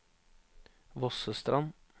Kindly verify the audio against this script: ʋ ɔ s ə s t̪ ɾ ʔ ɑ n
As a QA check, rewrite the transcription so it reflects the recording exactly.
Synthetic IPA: ʋ ɔ s ə s t̪ ɾ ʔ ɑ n